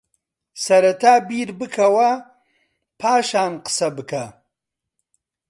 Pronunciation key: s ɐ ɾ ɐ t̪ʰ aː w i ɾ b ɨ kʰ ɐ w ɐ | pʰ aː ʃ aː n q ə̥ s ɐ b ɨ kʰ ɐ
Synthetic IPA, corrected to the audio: s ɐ ɾ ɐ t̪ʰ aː b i ɾ b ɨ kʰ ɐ w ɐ | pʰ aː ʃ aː n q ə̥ s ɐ b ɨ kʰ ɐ